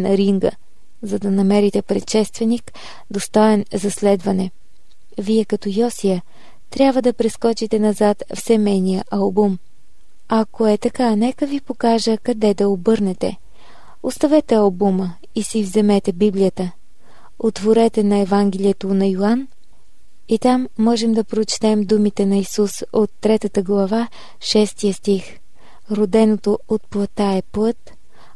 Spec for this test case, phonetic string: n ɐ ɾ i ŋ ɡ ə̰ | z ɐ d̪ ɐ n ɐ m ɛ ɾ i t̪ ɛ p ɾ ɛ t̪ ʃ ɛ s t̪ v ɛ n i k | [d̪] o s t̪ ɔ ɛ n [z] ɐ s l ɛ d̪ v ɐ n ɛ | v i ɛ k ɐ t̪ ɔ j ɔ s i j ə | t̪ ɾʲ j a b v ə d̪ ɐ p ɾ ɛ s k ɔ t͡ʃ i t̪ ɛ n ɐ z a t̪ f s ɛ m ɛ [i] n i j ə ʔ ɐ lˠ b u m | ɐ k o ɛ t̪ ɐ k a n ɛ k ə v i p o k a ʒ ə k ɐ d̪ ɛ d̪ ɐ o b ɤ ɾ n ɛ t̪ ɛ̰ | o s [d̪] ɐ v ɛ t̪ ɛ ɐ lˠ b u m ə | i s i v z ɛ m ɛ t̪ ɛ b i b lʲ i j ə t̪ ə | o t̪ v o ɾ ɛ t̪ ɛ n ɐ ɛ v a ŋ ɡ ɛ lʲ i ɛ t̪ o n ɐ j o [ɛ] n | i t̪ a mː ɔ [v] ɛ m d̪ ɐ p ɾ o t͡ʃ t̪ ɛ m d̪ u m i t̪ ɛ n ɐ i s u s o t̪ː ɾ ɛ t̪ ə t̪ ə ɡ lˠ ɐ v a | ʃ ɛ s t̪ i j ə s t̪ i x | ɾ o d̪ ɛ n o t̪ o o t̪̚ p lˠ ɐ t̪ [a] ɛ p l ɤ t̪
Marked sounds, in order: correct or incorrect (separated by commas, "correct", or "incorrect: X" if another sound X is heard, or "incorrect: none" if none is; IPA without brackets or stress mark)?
correct, correct, incorrect: j, incorrect: t̪, incorrect: a, incorrect: ʒ, correct